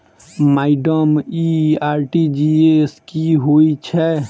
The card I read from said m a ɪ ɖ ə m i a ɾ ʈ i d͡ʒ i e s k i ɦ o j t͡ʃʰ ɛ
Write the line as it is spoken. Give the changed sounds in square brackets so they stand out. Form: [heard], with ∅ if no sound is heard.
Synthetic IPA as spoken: m a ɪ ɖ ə m i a ɾ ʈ i d͡ʒ i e s k i ɦ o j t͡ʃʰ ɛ